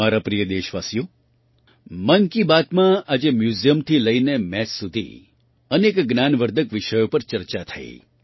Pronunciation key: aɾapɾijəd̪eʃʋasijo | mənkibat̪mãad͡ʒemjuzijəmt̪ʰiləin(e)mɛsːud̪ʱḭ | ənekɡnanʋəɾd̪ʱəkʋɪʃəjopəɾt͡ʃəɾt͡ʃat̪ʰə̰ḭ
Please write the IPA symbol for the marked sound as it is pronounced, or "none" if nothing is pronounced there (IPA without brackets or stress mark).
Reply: e